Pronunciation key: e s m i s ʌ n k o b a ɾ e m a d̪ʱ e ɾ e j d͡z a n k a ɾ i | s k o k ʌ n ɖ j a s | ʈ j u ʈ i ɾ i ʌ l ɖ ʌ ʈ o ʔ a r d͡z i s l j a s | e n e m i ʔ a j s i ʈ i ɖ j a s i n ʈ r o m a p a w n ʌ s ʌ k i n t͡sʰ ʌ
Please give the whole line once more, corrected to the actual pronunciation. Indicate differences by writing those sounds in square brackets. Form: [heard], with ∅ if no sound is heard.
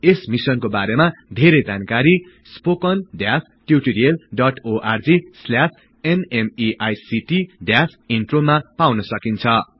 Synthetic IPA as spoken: e s m i s ʌ n k o b a ɾ e m a d̪ʱ e ɾ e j d͡z a n k a ɾ i | s [p] o k ʌ n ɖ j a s | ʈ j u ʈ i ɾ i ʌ l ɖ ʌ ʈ o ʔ a r d͡z i s l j a s | e n e m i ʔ a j s i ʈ i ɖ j a s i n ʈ r o m a p a w n ʌ s ʌ k i n t͡sʰ ʌ